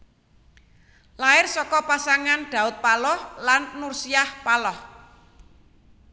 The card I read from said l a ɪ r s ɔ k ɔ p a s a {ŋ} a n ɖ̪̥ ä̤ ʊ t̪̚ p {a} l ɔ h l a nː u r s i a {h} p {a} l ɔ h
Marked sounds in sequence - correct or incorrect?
correct, correct, correct, correct

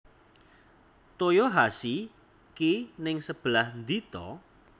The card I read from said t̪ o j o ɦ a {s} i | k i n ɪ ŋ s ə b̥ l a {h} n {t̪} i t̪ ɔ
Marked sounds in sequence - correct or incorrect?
correct, correct, incorrect

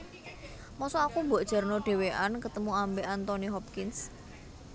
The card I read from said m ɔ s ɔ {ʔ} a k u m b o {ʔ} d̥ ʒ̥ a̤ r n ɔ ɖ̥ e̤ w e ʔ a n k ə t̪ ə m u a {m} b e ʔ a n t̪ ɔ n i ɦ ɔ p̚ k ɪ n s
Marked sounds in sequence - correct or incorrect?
incorrect, correct, correct

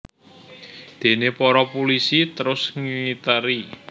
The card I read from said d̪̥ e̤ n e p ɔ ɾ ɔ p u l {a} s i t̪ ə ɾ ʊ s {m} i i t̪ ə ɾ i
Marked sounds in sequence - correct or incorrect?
incorrect, incorrect

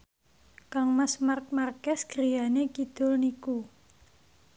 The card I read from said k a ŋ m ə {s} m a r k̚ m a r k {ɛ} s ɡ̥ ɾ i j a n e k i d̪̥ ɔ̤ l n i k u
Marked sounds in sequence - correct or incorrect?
correct, correct

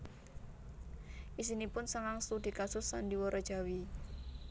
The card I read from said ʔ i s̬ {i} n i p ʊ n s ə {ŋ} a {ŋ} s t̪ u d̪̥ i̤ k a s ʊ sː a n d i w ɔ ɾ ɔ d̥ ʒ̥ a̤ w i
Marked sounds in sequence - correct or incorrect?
correct, correct, correct

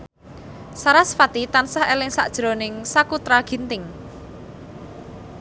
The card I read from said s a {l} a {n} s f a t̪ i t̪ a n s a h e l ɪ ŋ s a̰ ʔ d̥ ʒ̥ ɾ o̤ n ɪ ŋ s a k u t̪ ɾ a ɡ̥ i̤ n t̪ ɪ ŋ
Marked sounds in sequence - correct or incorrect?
incorrect, incorrect

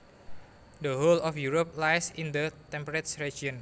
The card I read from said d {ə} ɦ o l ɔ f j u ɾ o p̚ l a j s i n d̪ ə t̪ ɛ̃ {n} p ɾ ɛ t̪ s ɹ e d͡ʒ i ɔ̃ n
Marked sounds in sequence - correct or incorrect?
correct, incorrect

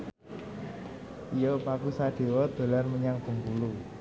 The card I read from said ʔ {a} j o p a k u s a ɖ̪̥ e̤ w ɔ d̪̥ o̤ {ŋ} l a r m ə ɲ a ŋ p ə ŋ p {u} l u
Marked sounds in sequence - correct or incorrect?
incorrect, incorrect, correct

